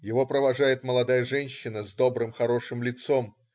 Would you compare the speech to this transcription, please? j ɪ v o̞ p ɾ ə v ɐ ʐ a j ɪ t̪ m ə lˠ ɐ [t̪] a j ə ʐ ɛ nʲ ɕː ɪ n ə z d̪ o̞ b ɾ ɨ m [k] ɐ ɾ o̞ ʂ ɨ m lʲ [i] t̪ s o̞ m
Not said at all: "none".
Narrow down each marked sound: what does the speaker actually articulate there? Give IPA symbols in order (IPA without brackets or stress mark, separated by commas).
d̪, x, ɪ